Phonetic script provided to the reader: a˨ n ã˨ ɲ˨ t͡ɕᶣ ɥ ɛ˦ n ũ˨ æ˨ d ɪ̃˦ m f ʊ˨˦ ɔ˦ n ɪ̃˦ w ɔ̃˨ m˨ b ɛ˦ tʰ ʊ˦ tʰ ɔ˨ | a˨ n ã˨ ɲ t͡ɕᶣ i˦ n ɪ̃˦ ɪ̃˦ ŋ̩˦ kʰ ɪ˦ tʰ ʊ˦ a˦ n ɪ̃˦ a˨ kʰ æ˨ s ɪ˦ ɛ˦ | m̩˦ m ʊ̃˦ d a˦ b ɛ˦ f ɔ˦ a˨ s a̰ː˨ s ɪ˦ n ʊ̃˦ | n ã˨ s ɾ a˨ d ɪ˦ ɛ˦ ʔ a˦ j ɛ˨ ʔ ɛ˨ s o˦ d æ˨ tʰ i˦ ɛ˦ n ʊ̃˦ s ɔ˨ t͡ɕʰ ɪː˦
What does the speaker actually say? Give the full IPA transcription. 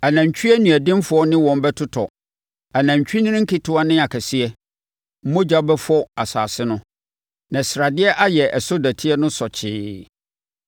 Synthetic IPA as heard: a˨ n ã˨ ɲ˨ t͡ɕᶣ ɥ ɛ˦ n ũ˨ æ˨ d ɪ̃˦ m f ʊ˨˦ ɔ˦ n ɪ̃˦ w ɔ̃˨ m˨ b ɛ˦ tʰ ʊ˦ tʰ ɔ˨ | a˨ n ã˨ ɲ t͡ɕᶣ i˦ n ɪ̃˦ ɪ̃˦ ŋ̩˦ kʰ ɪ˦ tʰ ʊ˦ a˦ n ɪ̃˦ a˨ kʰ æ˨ s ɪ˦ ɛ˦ | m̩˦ m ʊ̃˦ d͡ʑ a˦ b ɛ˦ f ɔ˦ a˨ s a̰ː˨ s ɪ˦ n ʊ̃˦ | n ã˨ s ɾ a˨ d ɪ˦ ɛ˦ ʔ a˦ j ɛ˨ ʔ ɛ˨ s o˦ d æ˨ tʰ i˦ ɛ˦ n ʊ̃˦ s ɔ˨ t͡ɕʰ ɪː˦